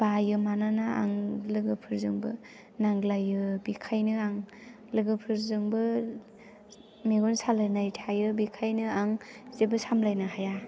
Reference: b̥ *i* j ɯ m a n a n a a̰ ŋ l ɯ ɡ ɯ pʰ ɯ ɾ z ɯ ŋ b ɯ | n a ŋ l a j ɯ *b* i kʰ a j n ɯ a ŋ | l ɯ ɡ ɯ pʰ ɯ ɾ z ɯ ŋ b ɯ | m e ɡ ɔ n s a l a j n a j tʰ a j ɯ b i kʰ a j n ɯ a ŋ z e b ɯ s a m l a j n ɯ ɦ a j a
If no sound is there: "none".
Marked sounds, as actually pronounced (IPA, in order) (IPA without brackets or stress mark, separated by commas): a, b